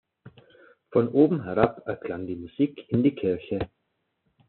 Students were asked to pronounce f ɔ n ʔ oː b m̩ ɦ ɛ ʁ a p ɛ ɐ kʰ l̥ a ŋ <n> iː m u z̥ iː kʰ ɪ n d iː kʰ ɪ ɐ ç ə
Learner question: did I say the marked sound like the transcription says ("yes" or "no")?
no